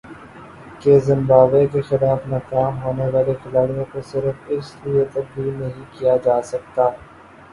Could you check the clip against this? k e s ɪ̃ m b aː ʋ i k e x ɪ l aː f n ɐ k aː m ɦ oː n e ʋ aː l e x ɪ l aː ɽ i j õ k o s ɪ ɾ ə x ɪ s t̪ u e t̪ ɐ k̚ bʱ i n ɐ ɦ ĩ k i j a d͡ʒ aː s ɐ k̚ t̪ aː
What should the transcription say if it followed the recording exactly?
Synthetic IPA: k e z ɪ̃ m b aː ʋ e k e x ɪ l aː f n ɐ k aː m ɦ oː n e ʋ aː l e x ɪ l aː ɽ i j õ k o s ɪ ɾ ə f ɪ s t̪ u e t̪ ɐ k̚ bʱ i n ɐ ɦ ĩ k i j a d͡ʒ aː s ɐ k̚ t̪ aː